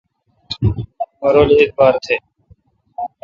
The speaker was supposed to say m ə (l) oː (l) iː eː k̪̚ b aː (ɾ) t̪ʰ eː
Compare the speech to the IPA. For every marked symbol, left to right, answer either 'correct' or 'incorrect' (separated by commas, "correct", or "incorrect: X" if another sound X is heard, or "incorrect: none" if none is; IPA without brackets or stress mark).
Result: incorrect: ɾ, correct, correct